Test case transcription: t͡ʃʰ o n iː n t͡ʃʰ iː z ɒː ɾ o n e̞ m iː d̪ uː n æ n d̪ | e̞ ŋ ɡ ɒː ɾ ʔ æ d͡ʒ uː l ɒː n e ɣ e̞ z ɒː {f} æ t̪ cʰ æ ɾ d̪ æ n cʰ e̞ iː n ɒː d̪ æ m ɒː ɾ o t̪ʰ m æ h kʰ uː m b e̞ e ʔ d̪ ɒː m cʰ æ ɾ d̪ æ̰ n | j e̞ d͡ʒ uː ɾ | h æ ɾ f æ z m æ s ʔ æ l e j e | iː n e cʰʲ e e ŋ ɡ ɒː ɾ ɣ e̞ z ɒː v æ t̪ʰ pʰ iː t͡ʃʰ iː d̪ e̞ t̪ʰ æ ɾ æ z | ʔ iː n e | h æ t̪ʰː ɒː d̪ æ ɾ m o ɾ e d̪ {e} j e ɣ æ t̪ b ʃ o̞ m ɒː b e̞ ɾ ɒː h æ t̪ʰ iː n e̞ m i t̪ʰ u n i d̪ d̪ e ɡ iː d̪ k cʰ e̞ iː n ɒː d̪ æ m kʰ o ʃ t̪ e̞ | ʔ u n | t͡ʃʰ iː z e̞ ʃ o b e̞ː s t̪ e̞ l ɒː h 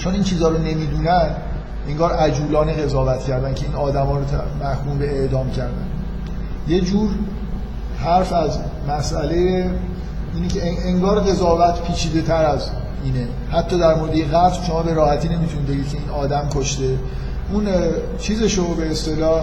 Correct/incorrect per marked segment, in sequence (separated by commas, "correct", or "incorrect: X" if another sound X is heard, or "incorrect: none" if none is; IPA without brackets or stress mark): incorrect: v, correct